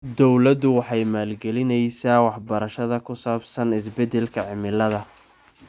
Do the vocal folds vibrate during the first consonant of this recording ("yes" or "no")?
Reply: yes